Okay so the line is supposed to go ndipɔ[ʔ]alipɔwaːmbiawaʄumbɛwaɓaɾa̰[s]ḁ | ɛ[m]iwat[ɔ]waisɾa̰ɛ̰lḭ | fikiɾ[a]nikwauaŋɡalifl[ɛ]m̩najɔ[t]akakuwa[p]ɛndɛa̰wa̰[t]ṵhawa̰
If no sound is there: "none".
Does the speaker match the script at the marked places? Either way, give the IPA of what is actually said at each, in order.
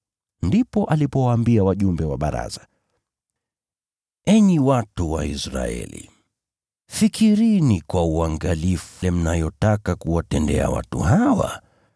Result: ʔ, z, ɲ, u, i, ɛ, t, t, t

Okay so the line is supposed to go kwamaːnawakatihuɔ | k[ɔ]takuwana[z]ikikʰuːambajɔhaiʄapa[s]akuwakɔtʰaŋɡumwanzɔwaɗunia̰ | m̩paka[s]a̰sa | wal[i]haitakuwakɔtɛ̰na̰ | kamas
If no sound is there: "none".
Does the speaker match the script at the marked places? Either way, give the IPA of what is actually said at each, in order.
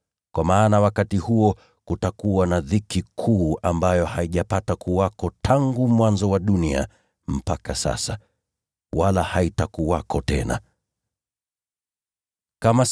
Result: u, ð, t, s, a

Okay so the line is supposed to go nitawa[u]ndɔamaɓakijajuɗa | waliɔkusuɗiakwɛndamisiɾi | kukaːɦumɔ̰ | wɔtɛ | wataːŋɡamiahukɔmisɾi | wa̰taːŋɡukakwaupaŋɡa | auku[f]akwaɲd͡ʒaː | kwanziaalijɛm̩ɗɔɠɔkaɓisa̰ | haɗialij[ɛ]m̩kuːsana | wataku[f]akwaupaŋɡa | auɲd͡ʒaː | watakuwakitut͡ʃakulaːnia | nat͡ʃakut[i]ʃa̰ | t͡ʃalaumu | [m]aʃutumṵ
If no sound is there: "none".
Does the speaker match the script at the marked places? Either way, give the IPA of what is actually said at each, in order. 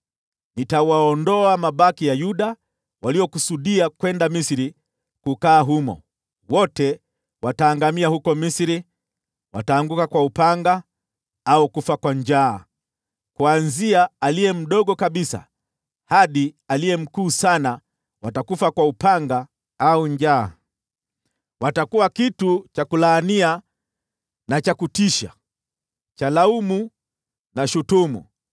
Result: ɔ, f, ɛ, f, i, n

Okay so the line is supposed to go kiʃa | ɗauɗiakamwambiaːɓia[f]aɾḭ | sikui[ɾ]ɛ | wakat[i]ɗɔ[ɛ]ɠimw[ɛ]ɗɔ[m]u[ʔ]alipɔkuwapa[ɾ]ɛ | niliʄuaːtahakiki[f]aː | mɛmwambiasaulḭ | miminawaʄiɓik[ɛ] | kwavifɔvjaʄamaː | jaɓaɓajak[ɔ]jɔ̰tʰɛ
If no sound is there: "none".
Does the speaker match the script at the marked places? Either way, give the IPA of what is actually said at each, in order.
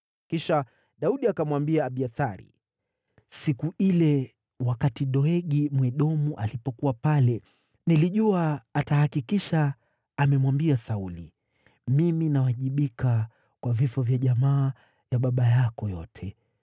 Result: θ, l, i, ɛ, ɛ, m, ʔ, l, ʃ, a, ɔ

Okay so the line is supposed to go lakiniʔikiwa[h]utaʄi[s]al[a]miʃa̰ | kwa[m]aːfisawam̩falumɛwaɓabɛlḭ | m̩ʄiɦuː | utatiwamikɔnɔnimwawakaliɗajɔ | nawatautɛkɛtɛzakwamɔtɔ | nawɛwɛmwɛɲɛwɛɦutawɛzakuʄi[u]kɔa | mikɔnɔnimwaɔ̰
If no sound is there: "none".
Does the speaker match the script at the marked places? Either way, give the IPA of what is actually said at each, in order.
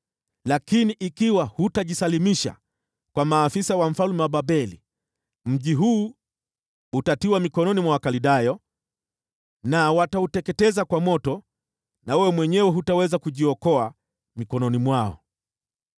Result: h, s, i, m, ɔ

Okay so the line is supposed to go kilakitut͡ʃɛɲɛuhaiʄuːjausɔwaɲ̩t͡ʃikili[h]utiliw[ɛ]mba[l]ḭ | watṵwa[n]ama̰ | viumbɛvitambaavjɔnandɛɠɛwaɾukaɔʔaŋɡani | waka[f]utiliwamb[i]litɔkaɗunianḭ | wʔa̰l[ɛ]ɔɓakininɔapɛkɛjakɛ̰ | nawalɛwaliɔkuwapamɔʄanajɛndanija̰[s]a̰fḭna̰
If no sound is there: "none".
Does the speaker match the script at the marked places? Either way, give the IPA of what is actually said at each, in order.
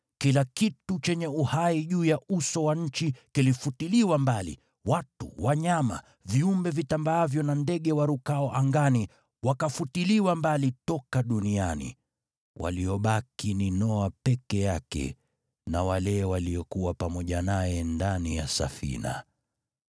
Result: f, a, l, ɲ, f, a, i, s

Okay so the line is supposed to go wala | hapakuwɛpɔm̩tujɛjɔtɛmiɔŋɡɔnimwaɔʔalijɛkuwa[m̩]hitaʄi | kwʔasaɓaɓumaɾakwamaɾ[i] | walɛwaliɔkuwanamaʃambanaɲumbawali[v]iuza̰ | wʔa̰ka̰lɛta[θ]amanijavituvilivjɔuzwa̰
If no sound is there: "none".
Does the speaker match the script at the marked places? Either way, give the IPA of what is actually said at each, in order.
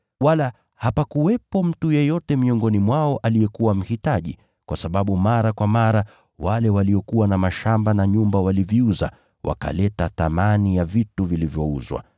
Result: m̩, a, v, θ

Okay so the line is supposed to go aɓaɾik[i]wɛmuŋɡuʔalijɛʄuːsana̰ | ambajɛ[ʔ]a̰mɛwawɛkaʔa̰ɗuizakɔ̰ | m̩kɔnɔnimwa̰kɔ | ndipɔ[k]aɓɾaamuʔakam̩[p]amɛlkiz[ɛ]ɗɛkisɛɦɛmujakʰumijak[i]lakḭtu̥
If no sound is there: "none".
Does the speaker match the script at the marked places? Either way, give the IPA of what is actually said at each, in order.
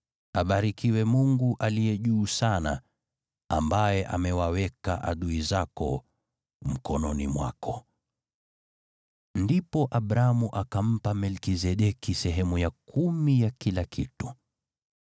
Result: i, ʔ, ʔ, p, ɛ, i

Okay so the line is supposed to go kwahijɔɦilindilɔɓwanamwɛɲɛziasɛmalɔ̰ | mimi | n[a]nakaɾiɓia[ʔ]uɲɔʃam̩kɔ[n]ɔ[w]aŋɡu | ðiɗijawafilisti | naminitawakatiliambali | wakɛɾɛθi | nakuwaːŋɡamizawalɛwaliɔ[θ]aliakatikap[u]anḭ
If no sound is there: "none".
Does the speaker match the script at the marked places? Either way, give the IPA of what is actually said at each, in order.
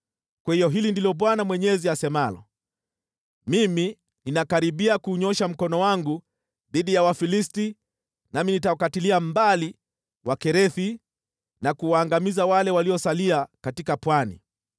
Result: i, k, n, w, s, w

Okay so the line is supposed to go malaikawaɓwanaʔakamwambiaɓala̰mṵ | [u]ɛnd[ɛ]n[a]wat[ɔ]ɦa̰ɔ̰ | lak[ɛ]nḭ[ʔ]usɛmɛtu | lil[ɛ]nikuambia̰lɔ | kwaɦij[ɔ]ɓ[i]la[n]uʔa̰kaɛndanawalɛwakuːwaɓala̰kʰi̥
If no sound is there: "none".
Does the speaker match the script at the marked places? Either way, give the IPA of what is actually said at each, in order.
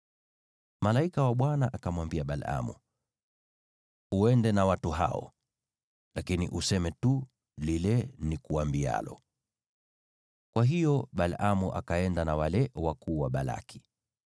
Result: u, ɛ, a, u, i, ʔ, ɛ, ɔ, a, m

